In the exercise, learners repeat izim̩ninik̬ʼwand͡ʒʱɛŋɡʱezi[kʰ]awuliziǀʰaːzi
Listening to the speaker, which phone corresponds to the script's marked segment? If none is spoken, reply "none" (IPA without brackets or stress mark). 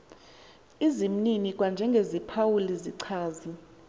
pʰ